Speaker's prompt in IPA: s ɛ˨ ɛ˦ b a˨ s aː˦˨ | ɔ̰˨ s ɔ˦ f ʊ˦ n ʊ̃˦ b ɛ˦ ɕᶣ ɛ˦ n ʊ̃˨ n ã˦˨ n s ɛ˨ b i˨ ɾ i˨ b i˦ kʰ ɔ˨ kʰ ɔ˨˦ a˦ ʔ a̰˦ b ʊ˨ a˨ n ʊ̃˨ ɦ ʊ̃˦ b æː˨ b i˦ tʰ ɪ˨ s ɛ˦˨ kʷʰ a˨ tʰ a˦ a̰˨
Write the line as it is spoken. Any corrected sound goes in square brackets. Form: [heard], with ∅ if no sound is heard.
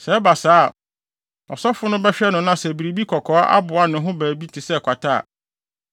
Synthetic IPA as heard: s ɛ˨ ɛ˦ b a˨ s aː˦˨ | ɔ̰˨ s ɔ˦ f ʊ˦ n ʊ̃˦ b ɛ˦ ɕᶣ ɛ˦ n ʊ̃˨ n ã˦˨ [∅] s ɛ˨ b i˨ ɾ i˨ b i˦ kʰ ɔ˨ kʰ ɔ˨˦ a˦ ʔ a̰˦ b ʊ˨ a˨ n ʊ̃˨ ɦ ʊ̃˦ b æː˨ b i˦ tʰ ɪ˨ s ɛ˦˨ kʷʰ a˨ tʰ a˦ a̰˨